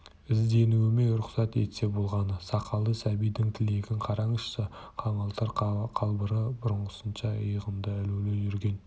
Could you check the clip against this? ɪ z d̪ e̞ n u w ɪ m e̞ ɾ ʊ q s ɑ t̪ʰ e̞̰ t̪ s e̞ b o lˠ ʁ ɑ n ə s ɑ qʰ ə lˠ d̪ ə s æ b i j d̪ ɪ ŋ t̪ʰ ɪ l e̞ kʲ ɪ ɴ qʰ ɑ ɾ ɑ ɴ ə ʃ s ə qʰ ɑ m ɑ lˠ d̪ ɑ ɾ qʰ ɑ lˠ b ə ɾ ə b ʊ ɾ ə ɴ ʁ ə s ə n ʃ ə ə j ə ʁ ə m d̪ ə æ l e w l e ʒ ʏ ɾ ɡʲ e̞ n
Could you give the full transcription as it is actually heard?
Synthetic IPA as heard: ɪ z d̪ e̞ n u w ɪ m e̞ ɾ ʊ q s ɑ t̪ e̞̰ t̪ s e̞ b o lˠ ʁ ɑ n ə s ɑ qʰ ɑ lˠ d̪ ə s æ b i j d̪ ɪ ŋ t̪ʰ ɪ l e̞ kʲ ɪ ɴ qʰ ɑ ɾ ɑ ɴ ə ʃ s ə qʰ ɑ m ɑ lˠ t̪ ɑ ɾ qʰ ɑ lˠ b ə ɾ ə b ʊ ɾ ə ɴ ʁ ə s ə n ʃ ɑ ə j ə ʁ ə m d̪ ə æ l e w l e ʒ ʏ ɾ ɡʲ e̞ n

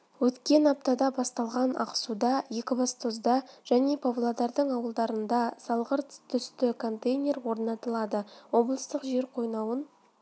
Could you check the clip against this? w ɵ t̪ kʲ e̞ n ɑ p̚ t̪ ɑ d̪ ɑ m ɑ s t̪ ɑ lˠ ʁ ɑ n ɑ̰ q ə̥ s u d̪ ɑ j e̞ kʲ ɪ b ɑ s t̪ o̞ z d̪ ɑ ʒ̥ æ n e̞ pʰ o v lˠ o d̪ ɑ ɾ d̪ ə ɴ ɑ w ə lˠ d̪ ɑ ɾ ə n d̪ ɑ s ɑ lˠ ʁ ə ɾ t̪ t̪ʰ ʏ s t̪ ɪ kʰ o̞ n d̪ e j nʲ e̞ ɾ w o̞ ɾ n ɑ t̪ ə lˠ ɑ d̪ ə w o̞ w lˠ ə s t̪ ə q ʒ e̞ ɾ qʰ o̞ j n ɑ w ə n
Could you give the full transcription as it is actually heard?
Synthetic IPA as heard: w ɵ t̪ kʲ e̞ n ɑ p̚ t̪ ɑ d̪ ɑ b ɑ s t̪ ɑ lˠ ʁ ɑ n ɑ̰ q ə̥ s u d̪ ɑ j e̞ kʲ ɪ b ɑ s t̪ o̞ z d̪ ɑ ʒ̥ æ n e̞ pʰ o v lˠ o d̪ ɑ ɾ d̪ ə ɴ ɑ w ə lˠ d̪ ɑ ɾ ə n d̪ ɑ s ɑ lˠ ʁ ə ɾ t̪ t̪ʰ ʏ s t̪ ɪ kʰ o̞ n t̪ e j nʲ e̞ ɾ w o̞ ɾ n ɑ t̪ ə lˠ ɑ d̪ ə w o̞ b lˠ ə s t̪ ə q ʒ e̞ ɾ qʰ o̞ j n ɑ w ə n

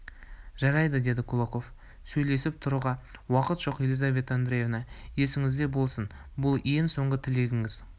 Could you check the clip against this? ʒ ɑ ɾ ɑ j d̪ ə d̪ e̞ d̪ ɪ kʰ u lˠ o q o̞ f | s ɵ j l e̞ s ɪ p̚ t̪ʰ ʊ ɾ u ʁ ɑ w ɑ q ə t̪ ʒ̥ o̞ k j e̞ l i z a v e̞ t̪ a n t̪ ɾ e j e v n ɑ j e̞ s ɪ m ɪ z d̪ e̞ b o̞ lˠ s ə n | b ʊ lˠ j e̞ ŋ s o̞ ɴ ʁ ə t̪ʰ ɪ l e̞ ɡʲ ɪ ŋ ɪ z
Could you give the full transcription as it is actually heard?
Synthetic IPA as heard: ʒ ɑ ɾ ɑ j d̪ ə d̪ e̞ d̪ ɪ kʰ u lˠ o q o̞ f | s ɵ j l e̞ s ɪ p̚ t̪ʰ ʊ ɾ u ʁ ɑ w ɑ q ə t̪ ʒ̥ o̞ q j e̞ l i z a v e̞ t̪ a n d̪ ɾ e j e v n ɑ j e̞ s ɪ ŋ ɪ z d̪ e̞ b o̞ lˠ s ə n | b ʊ lˠ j e̞ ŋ s o̞ ɴ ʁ ə t̪ʰ ɪ l e̞ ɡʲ ɪ ŋ ɪ z

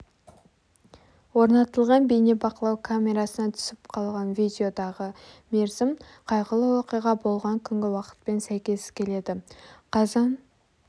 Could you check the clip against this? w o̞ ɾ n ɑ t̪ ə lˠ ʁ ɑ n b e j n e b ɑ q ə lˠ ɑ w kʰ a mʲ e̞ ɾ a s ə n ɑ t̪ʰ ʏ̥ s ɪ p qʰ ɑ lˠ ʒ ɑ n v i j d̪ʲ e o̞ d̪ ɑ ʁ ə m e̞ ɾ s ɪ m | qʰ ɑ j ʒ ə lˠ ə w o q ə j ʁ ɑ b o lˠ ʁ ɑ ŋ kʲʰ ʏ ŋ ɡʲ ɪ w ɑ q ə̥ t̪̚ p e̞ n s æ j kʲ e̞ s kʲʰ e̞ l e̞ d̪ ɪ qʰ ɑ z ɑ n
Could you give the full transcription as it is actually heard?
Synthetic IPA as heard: w o̞ ɾ n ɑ t̪ ə lˠ ʁ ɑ n b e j n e b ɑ q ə lˠ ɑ w kʰ a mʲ e̞ ɾ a s ə n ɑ t̪ʰ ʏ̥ s ɪ p qʰ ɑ lˠ ʁ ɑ n v i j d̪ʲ e o̞ d̪ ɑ ʁ ə m e̞ ɾ z ɪ m | qʰ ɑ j ʁ ə lˠ ə w o q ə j ʁ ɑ b o lˠ ʁ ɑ ŋ kʲʰ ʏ ŋ ɡʲ ɪ w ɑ q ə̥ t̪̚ p e̞ n s æ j kʲ e̞ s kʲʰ e̞ l e̞ d̪ ɪ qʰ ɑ z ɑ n

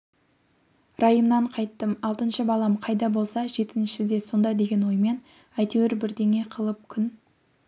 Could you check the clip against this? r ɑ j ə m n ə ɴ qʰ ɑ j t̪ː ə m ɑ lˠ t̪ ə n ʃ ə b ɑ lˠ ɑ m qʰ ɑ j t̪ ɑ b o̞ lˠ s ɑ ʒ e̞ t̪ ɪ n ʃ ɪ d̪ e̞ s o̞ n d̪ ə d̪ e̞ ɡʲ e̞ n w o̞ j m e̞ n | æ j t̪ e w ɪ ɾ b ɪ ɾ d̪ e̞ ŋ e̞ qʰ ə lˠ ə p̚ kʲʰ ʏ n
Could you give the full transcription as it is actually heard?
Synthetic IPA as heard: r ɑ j ə m n ɑ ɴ qʰ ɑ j t̪ː ə m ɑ lˠ t̪ ə n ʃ ə b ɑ lˠ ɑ m qʰ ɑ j d̪ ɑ b o̞ lˠ s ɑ ʒ e̞ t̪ ɪ n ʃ ɪ d̪ e̞ s o̞ n d̪ ɑ d̪ e̞ ɡʲ e̞ n w o̞ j m e̞ n | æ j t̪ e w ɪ ɾ b ɪ ɾ d̪ e̞ ŋ e̞ qʰ ə lˠ ə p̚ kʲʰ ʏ n

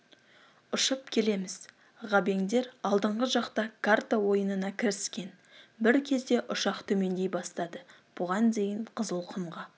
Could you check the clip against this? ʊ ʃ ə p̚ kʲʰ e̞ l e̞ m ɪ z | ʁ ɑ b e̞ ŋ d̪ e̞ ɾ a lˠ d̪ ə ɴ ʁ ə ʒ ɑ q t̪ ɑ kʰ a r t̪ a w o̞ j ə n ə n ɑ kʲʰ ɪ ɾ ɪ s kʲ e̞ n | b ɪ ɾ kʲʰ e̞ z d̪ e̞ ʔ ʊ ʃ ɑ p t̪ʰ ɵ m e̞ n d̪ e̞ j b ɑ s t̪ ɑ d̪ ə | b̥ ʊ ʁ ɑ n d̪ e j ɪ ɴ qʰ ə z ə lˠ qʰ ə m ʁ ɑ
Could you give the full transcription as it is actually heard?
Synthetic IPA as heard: ʊ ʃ ə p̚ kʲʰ e̞ l e̞ m ɪ z | ʁ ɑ b e̞ ŋ d̪ e̞ ɾ ɑ lˠ d̪ ə ɴ ʁ ə ʒ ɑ q t̪ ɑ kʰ a r t̪ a w o̞ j ə n ə n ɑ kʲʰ ɪ ɾ ɪ s kʲ e̞ n | b ɪ ɾ kʲʰ e̞ z d̪ e̞ ʔ ʊ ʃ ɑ q t̪ʰ ɵ m e̞ n d̪ e̞ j b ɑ s t̪ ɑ d̪ ə | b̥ ʊ ʁ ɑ n d̪ e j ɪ ɴ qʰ ə z ə lˠ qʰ ə m ʁ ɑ

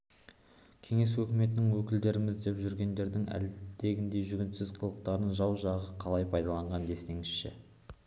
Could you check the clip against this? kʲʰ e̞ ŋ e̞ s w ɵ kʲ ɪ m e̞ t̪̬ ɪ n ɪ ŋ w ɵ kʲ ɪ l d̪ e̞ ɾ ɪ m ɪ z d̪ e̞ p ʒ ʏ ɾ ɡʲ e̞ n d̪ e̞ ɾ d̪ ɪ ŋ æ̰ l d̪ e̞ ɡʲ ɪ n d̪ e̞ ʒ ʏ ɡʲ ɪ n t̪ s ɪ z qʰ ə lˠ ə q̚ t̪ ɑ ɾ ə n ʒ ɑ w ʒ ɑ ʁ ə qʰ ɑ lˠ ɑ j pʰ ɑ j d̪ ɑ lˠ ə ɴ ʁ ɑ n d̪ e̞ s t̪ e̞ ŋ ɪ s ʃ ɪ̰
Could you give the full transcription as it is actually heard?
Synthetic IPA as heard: kʲʰ e̞ ŋ e̞ s w ɵ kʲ ɪ m e̞ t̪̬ ɪ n ɪ ŋ w ɵ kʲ ɪ l d̪ e̞ ɾ ɪ m ɪ z d̪ e̞ p ʒ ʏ ɾ ɡʲ e̞ n d̪ e̞ ɾ d̪ ɪ ŋ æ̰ l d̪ e̞ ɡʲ ɪ n d̪ e̞ ʒ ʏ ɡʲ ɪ n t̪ s ɪ z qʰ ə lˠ ə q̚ t̪ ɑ ɾ ə n ʒ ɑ w ʒ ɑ ʁ ə qʰ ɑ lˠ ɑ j pʰ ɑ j d̪ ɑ lˠ ɑ ɴ ʁ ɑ n d̪ e̞ s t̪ e̞ ŋ ɪ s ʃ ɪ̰

